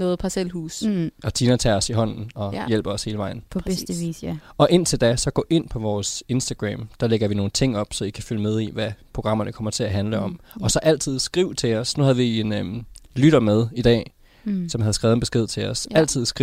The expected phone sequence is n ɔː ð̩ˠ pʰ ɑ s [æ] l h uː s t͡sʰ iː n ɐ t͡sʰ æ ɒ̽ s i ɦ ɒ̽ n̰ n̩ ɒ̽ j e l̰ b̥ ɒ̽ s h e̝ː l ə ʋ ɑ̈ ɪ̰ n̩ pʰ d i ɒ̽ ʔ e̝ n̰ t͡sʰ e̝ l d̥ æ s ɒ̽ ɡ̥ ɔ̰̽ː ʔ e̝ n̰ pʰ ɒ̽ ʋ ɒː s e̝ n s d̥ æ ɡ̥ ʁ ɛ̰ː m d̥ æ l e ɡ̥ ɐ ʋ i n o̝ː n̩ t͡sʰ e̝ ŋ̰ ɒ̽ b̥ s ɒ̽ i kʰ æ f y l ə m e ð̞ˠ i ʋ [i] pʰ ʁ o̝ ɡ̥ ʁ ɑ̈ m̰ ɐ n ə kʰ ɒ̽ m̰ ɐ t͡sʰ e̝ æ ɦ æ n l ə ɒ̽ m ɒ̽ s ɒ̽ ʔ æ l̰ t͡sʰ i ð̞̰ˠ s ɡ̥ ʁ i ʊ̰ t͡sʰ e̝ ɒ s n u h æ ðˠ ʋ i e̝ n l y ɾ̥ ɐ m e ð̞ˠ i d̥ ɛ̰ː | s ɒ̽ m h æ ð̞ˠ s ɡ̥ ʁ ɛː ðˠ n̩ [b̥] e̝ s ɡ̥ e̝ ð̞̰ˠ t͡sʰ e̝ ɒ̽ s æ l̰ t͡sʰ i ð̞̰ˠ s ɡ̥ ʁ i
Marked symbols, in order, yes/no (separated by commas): no, no, yes